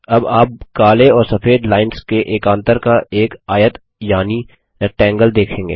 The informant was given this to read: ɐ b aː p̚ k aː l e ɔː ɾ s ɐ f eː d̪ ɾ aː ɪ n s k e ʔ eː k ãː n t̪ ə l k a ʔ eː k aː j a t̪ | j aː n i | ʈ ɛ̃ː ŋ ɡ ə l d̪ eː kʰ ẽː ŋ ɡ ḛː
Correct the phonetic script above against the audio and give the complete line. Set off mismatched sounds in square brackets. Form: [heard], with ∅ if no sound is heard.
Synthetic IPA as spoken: ɐ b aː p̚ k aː l e ɔː ɾ s ɐ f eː d̪ [l] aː ɪ n s k e ʔ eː k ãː n t̪ ə [ɾ] k a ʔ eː k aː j [ə] t̪ | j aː n i | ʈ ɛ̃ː ŋ ɡ ə l d̪ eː kʰ ẽː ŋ ɡ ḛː